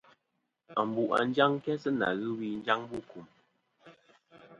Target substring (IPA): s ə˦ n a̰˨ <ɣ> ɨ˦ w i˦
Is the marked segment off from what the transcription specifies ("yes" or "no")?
no